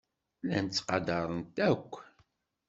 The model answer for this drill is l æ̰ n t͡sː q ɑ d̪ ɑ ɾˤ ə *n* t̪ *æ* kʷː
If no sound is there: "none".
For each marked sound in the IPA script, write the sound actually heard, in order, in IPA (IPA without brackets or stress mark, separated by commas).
n, æ